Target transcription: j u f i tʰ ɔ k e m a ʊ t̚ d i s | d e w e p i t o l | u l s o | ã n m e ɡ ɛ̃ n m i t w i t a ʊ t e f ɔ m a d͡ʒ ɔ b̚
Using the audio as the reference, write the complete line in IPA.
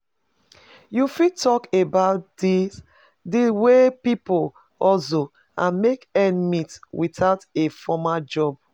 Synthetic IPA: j u f i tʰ ɔ k e b a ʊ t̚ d i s | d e w e p i p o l | ɔ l s o | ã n m e k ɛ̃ n m i t w i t a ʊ t e f ɔ m a d͡ʒ ɔ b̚